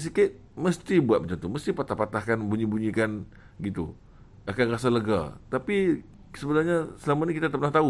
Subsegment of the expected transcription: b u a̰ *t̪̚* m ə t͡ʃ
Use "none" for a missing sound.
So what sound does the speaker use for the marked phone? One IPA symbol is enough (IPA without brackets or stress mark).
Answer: t̪̚